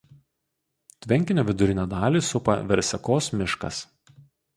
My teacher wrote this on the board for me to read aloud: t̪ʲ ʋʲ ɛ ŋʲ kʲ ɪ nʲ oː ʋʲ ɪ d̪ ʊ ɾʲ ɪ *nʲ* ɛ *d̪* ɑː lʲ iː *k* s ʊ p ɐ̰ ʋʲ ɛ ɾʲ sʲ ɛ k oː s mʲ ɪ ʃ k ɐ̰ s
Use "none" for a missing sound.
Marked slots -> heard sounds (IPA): nʲ, d̪, none

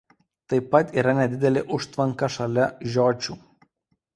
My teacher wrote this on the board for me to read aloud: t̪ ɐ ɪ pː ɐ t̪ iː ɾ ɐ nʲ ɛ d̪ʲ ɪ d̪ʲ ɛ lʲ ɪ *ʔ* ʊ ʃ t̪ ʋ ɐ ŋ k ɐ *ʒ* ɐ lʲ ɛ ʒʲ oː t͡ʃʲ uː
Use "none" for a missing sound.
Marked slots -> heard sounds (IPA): ʔ, ʃ

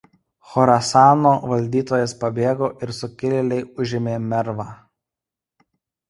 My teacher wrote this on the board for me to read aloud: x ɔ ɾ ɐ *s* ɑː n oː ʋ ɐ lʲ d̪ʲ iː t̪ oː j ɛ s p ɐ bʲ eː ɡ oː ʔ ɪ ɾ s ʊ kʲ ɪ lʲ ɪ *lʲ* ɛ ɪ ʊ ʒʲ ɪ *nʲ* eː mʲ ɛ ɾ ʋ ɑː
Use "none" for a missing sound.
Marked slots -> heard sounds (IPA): s, lʲ, mʲ

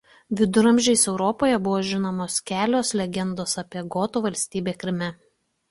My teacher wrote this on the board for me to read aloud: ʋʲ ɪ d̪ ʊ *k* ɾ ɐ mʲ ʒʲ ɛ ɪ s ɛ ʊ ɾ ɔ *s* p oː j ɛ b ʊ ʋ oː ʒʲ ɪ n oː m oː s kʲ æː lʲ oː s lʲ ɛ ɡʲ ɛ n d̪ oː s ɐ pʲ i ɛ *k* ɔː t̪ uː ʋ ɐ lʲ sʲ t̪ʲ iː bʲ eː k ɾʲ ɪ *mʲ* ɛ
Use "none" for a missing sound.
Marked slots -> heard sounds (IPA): none, none, ɡ, mʲ

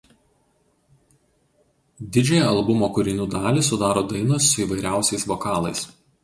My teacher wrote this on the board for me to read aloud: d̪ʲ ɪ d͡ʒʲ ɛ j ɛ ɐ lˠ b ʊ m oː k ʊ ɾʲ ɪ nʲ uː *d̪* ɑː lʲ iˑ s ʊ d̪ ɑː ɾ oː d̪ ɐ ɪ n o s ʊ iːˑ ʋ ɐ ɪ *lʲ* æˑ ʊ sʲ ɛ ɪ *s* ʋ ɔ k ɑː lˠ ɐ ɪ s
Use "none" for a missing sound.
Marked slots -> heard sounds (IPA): d̪, ɾʲ, s

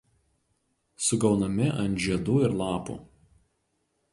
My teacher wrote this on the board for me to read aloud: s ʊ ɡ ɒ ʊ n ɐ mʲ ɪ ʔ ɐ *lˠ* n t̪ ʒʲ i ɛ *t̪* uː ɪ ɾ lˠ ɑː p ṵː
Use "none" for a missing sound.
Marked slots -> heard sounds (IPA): none, d̪

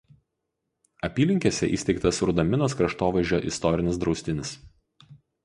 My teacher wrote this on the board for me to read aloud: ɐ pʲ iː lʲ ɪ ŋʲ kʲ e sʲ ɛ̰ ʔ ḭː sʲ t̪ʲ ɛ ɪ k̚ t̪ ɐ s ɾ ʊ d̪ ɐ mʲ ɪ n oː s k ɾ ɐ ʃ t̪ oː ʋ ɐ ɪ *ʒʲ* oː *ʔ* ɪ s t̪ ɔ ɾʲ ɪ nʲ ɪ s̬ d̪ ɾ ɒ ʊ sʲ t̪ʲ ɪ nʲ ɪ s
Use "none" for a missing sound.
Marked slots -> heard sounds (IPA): ʒʲ, ʔ

